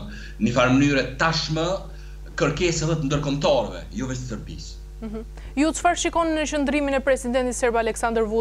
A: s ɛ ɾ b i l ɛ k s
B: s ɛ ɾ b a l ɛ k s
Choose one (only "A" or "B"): B